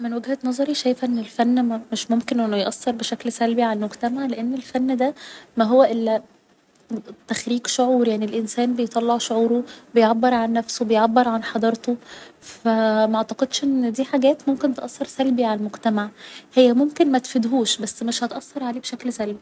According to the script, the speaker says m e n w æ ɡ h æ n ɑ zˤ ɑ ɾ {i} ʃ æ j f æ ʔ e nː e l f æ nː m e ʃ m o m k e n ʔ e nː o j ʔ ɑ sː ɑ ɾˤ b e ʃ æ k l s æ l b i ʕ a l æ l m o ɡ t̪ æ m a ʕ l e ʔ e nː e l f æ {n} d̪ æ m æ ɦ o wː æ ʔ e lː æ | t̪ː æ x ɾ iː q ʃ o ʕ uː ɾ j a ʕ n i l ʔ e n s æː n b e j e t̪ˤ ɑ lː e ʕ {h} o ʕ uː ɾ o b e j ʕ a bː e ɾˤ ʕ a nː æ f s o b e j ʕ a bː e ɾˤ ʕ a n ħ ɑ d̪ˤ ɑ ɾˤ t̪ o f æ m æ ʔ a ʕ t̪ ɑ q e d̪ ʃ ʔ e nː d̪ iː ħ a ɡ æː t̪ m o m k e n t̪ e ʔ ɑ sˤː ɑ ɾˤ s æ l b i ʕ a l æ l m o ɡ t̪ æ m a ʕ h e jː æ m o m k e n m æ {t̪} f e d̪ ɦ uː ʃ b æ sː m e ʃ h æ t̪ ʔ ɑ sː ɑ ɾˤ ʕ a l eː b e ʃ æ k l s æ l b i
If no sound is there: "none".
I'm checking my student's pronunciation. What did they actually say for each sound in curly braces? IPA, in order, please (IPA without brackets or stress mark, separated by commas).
i, nː, ʃ, t̪